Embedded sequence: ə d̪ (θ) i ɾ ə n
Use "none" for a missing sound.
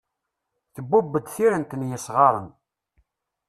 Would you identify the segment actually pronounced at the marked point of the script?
θ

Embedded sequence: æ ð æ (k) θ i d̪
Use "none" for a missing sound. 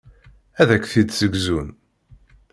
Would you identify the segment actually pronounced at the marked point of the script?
k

